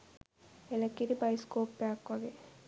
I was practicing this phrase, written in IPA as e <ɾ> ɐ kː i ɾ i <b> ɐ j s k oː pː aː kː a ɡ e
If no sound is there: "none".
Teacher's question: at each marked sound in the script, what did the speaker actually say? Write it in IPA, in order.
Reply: l, b

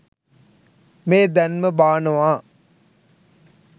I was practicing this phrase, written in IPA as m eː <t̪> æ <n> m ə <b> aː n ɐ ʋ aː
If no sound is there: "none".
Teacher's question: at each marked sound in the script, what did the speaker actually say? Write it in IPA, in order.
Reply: d̪, n, b

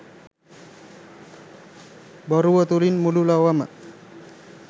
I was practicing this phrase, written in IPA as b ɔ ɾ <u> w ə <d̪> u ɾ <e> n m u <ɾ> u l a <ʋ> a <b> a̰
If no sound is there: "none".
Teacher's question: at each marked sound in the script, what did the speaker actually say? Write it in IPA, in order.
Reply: u, t̪, i, l, w, m

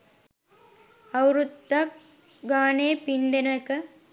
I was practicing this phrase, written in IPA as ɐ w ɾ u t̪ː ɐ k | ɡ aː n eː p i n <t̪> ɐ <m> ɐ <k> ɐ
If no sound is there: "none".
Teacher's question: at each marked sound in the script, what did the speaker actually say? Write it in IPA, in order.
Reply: d̪, n, k

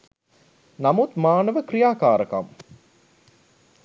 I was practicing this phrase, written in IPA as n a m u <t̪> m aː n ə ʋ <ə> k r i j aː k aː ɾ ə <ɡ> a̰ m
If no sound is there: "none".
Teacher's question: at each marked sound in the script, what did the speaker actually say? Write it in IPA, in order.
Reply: t̪, ə, k

